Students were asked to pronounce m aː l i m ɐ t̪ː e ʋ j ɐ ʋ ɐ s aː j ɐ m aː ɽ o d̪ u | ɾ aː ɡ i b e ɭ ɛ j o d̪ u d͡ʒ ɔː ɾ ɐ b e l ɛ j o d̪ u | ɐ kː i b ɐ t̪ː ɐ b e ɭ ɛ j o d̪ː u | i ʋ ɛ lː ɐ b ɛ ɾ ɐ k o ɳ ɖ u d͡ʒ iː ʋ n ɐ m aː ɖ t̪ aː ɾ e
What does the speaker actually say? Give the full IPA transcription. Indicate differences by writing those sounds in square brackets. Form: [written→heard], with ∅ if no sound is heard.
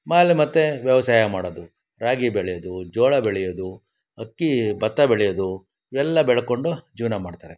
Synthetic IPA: m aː l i m ɐ t̪ː e ʋ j ɐ ʋ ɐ s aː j ɐ m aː ɽ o d̪ u | ɾ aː ɡ i b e ɭ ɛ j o d̪ u d͡ʒ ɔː [ɾ→ɭ] ɐ b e [l→ɭ] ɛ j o d̪ u | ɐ kː i b ɐ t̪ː ɐ b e ɭ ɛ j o [d̪ː→d̪] u | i ʋ ɛ lː ɐ b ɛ [ɾ→ɭ] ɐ k o ɳ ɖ u d͡ʒ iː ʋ n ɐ m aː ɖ t̪ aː ɾ e